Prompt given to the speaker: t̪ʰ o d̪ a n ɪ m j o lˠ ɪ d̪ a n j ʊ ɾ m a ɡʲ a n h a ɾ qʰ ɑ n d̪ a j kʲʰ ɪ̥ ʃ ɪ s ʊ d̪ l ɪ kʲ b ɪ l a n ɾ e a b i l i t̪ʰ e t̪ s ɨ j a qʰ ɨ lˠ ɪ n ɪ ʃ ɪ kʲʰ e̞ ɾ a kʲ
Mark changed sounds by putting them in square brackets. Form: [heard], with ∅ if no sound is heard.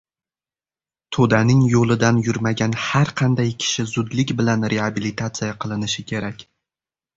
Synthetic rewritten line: t̪ʰ o d̪ a n ɪ [ŋ] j o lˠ ɪ d̪ a n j ʊ ɾ m a ɡʲ a n h a ɾ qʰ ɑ n d̪ a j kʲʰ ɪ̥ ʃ ɪ [z] ʊ d̪ l ɪ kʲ b ɪ l a n ɾ e a b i l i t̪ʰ [a] t̪ s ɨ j a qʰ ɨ lˠ ɪ n ɪ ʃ ɪ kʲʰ e̞ ɾ a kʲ